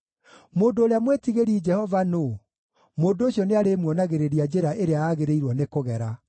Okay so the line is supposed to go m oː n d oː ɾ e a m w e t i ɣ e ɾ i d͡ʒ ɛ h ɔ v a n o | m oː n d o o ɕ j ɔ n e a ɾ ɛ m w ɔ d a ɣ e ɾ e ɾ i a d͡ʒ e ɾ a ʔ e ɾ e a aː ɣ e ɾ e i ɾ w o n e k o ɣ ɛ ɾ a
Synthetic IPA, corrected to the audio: m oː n d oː ɾ e a m w e t i ɣ e ɾ i d͡ʒ ɛ h ɔ v a n o | m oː n d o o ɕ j ɔ n e a ɾ e m w ɔ n a ɣ e ɾ e ɾ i a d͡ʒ e ɾ a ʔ e ɾ e a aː ɣ e ɾ e i ɾ w ɔ n e k o ɣ ɛ ɾ a